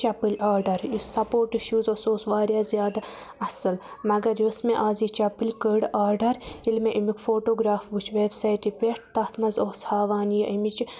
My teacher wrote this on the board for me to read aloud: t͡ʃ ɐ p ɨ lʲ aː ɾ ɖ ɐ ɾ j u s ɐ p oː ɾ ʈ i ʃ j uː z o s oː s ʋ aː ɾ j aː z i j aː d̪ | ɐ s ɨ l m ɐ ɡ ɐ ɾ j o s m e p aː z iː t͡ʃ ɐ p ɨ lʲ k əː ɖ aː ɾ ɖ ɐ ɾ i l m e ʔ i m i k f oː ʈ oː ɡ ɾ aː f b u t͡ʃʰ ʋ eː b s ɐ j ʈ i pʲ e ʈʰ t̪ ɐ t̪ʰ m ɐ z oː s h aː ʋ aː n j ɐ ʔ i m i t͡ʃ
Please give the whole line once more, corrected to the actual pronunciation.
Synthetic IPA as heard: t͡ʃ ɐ p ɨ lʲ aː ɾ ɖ ɐ ɾ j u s ɐ p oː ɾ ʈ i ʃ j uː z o s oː s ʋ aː ɾ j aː z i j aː d̪ | ɐ s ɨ l m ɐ ɡ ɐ ɾ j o s m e ʔ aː z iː t͡ʃ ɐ p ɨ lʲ k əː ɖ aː ɾ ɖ ɐ ɾ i l m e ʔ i m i k f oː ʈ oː ɡ ɾ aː f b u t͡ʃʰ ʋ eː b s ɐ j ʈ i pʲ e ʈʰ t̪ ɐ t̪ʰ m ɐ z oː s h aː ʋ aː n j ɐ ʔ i m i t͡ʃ